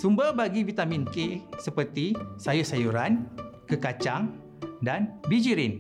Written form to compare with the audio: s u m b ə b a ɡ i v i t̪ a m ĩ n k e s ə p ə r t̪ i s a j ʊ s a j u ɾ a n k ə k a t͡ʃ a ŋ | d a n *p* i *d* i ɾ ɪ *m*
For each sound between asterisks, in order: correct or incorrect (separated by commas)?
incorrect, incorrect, incorrect